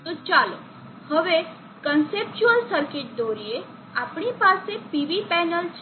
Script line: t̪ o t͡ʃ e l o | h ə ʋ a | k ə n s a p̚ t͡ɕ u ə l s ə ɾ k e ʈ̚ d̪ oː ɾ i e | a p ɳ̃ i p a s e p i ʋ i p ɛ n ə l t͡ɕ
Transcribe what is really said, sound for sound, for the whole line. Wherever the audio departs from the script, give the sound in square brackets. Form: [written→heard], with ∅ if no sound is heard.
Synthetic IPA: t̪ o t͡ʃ [e→a] l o | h ə ʋ [a→e] | k ə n s [a→e] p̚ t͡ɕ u ə l s ə ɾ k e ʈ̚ d̪ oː ɾ i e | a p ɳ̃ i p a s e p i ʋ i p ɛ n ə l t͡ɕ